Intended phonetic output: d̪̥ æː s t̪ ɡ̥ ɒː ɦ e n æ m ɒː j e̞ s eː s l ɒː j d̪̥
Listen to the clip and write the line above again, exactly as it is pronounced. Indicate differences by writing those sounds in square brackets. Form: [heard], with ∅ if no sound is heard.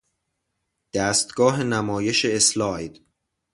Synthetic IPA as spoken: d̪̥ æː s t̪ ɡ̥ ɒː ɦ e n æ m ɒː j e̞ [ʃ] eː s l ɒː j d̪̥